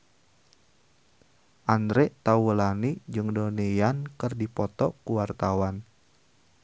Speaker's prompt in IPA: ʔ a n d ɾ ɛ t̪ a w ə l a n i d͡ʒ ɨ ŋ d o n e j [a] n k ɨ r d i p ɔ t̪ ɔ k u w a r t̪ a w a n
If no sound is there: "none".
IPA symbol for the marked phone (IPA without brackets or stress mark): a